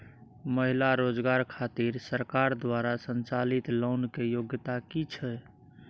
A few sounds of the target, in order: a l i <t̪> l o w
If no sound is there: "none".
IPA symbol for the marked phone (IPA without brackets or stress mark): t̪